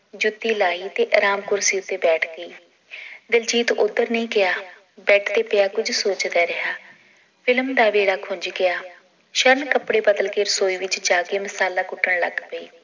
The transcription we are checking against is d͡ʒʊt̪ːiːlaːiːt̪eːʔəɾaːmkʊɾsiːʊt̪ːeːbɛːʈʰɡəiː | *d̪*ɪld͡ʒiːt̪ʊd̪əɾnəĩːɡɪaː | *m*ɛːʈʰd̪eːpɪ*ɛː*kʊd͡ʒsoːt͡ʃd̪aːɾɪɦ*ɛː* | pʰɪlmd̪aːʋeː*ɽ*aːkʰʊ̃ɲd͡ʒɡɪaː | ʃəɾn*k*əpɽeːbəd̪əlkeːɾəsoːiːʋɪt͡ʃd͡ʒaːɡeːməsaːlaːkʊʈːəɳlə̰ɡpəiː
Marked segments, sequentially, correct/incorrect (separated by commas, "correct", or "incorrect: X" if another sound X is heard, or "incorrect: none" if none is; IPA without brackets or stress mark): correct, incorrect: b, incorrect: aː, incorrect: aː, correct, correct